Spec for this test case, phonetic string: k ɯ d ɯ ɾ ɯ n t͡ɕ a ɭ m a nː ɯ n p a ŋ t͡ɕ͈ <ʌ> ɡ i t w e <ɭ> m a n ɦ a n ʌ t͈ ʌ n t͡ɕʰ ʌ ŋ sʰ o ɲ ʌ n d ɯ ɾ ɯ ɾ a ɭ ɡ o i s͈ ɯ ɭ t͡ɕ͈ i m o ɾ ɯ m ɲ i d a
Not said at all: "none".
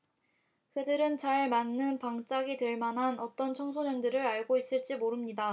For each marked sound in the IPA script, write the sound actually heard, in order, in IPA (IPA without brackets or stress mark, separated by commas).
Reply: a, ɭ